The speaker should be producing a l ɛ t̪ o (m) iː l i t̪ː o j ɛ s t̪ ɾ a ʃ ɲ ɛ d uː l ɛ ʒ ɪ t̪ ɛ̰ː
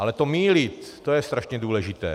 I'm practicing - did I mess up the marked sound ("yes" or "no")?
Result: no